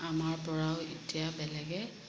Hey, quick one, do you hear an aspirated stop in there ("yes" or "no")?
no